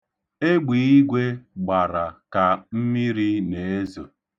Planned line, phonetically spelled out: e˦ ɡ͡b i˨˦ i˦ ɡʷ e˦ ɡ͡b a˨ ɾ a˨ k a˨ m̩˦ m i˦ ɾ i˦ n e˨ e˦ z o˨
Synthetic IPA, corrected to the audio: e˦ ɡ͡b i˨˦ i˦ ɡʷ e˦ ɡ͡b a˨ ɾ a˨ k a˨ m̩˦ m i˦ ɾ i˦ n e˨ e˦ z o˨